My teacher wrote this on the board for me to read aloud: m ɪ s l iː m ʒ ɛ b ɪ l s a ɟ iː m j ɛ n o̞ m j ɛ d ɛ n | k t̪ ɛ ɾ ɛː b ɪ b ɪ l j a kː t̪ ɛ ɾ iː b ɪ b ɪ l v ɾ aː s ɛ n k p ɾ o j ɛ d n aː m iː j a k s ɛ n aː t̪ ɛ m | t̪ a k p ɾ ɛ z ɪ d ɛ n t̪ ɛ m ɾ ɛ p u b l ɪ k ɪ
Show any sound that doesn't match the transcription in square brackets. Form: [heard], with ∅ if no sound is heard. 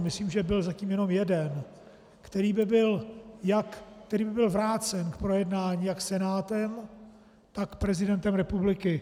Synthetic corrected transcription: m ɪ s l iː m ʒ ɛ b ɪ l [z] a [c] iː m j ɛ n o̞ m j ɛ d ɛ n | k t̪ ɛ ɾ [iː] b ɪ b ɪ l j a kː t̪ ɛ ɾ iː b ɪ b ɪ l v ɾ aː [t͡s] ɛ n k p ɾ o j ɛ d n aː [ɲ] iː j a k s ɛ n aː t̪ ɛ m | t̪ a k p ɾ ɛ z ɪ d ɛ n t̪ ɛ m ɾ ɛ p u b l ɪ k ɪ